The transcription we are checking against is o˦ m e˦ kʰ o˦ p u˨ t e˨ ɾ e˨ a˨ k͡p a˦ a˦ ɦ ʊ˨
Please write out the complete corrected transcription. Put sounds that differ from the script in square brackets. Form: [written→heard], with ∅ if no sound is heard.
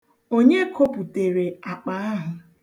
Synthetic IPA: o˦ [m→ɲ] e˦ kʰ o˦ p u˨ t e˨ ɾ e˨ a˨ k͡p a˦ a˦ ɦ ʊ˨